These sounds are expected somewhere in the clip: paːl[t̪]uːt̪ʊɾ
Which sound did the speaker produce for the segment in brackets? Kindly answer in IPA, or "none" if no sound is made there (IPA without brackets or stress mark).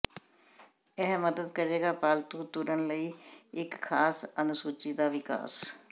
t̪